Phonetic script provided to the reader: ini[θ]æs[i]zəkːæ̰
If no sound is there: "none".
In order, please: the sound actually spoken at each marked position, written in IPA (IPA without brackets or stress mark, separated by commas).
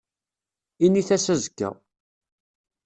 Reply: θ, æ